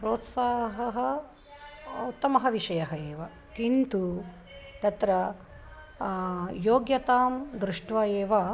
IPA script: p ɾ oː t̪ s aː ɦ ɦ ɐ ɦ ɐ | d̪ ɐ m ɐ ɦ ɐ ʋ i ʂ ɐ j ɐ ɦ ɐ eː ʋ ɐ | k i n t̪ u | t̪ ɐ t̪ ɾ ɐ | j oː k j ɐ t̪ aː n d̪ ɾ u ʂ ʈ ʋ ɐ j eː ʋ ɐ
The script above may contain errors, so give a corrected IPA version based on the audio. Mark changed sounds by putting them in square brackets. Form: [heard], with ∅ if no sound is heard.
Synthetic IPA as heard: p ɾ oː t̪ s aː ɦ ɦ ɐ ɦ ɐ | [t̪] ɐ m ɐ ɦ ɐ ʋ i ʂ ɐ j ɐ ɦ ɐ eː ʋ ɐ | k i n t̪ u | t̪ ɐ t̪ ɾ ɐ | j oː [ɡ] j ɐ t̪ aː [m] d̪ ɾ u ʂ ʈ ʋ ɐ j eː ʋ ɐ

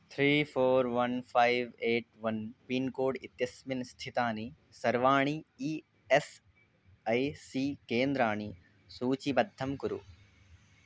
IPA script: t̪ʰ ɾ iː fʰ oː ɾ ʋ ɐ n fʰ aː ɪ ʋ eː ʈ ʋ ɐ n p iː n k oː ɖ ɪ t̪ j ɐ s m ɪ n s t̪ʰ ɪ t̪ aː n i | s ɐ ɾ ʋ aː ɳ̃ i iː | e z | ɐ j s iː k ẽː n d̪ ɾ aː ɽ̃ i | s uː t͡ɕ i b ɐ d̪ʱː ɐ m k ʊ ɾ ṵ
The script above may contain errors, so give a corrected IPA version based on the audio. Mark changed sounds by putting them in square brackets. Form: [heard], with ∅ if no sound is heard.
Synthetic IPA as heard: t̪ʰ ɾ iː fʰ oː ɾ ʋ ɐ n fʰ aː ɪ ʋ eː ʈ ʋ ɐ n p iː n k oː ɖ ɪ t̪ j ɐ s m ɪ n s t̪ʰ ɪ t̪ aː n i | s ɐ ɾ ʋ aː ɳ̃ i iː | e [s] | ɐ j s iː k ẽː n d̪ ɾ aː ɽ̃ i | s uː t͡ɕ i b ɐ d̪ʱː ɐ m k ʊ ɾ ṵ

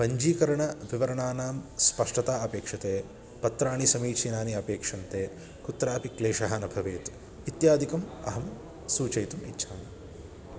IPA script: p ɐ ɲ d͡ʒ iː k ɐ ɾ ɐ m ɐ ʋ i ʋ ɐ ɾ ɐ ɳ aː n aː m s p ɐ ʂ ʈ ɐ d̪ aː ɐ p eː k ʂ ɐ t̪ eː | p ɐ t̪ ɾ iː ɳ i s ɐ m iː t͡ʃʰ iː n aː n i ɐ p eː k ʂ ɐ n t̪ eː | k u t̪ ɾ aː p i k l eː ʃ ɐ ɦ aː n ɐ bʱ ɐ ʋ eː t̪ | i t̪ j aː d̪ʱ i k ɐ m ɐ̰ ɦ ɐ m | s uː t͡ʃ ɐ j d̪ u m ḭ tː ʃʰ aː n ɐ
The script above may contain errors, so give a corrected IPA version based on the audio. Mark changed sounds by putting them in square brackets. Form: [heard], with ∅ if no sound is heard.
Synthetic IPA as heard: p ɐ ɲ d͡ʒ iː k ɐ ɾ ɐ [ɳ] ɐ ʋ i ʋ ɐ ɾ ɐ ɳ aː n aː m s p ɐ ʂ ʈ ɐ [t̪] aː ɐ p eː k ʂ ɐ t̪ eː | p ɐ t̪ ɾ [aː] ɳ i s ɐ m iː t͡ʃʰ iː n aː n i ɐ p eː k ʂ ɐ n t̪ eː | k u t̪ ɾ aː p i k l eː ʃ ɐ ɦ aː n ɐ bʱ ɐ ʋ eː t̪ | i t̪ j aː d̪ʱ i k ɐ m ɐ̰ ɦ ɐ m | s uː t͡ʃ ɐ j [t̪] u m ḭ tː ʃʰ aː n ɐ

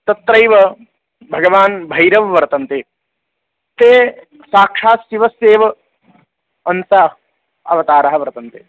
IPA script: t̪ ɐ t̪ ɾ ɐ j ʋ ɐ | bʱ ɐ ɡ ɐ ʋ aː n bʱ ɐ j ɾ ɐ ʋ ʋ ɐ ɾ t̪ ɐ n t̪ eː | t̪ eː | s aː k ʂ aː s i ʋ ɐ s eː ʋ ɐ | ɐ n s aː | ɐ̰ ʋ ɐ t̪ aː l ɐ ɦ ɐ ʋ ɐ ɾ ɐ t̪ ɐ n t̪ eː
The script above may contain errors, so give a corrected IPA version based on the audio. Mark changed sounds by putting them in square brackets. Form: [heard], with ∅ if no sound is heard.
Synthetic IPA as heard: t̪ ɐ t̪ ɾ ɐ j ʋ ɐ | bʱ ɐ ɡ ɐ ʋ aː n bʱ ɐ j ɾ ɐ ʋ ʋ ɐ ɾ t̪ ɐ n t̪ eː | t̪ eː | s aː k ʂ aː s i ʋ ɐ s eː ʋ ɐ | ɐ n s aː | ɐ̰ ʋ ɐ t̪ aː [ɾ] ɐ ɦ ɐ ʋ ɐ ɾ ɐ t̪ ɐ n t̪ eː

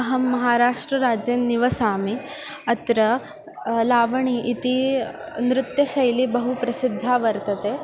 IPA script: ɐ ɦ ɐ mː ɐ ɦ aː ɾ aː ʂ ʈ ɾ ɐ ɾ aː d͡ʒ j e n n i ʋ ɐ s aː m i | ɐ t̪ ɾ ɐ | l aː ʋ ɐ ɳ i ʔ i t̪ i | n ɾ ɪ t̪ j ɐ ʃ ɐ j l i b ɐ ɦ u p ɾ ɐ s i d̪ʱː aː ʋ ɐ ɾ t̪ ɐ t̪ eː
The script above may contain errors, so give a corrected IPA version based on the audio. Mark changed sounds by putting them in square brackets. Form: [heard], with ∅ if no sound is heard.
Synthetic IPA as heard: ɐ ɦ ɐ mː ɐ ɦ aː ɾ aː ʂ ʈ ɾ ɐ ɾ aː d͡ʒ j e n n i ʋ ɐ s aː m i | ɐ t̪ ɾ ɐ | l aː ʋ ɐ ɳ i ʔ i t̪ i | n ɾ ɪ t̪ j ɐ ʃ ɐ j l i b ɐ ɦ u p ɾ ɐ s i d̪ʱː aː ʋ ɐ ɾ t̪ ɐ t̪ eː

